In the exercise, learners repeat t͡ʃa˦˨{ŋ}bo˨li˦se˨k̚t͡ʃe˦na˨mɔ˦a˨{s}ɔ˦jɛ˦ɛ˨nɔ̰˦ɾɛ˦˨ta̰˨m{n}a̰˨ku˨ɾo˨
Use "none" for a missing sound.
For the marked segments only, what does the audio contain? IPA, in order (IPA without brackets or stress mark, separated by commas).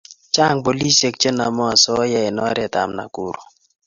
ŋ, s, n